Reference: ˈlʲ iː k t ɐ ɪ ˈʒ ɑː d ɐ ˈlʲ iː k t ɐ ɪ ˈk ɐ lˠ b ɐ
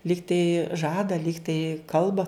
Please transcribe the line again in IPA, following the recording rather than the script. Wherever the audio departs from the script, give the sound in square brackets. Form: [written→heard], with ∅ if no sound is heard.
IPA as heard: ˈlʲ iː k t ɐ ɪ ˈʒ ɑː d ɐ ˈlʲ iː k t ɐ ɪ ˈk ɐ lˠ b ɐ